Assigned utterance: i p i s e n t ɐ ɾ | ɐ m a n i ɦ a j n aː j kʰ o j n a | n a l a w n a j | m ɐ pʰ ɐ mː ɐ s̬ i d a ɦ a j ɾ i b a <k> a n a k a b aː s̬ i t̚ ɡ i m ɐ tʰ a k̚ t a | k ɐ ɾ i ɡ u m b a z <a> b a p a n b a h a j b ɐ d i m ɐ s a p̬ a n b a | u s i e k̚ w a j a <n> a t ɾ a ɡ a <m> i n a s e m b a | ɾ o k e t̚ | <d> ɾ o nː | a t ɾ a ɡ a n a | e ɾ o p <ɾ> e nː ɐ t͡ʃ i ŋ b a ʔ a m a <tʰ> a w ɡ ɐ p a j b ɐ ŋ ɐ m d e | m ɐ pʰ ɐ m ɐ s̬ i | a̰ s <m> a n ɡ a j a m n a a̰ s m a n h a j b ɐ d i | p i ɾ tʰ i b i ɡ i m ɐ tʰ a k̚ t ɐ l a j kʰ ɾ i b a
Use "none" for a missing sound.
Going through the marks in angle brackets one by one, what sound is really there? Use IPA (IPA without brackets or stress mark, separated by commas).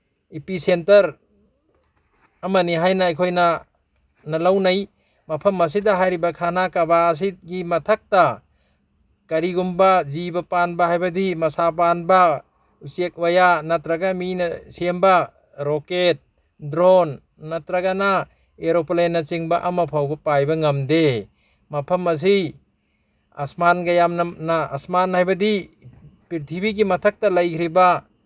kʰ, i, n, m, d, l, pʰ, m